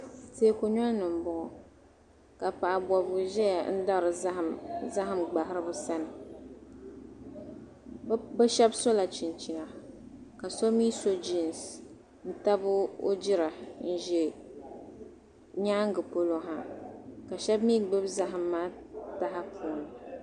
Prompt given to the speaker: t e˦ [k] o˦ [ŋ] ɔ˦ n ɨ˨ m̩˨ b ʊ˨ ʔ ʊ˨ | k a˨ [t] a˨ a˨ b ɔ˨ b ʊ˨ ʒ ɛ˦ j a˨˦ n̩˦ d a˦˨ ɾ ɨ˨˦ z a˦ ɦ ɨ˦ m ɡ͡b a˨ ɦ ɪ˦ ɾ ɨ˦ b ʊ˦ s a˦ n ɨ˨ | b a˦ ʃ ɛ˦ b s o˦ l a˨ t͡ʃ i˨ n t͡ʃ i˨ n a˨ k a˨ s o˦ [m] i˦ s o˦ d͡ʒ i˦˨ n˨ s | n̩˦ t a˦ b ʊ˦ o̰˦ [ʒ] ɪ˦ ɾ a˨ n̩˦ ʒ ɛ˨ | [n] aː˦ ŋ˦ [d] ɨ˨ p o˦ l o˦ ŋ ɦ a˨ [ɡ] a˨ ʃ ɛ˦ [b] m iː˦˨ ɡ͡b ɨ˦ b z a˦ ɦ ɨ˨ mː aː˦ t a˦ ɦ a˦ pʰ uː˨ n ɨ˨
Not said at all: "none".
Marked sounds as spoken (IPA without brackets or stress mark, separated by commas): k, ɲ, p, m, d͡ʒ, ɲ, ɡ, k, b